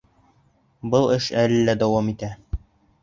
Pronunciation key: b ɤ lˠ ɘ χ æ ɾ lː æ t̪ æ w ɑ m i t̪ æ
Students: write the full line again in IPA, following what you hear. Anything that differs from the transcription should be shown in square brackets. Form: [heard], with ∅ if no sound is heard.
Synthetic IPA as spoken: b ɤ lˠ ɘ [ʃ] æ [l] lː æ [d̪] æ w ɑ m i t̪ æ